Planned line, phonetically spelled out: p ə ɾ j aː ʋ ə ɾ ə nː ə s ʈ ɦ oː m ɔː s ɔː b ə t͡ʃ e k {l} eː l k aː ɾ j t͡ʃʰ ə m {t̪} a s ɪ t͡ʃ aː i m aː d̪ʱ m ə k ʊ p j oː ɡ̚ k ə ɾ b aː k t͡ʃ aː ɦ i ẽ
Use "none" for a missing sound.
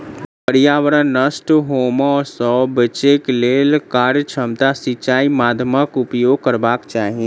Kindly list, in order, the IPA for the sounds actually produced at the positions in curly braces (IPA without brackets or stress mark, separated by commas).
l, t̪